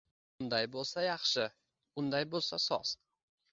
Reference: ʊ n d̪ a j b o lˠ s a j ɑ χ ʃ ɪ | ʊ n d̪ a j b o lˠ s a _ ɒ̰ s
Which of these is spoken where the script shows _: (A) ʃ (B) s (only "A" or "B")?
B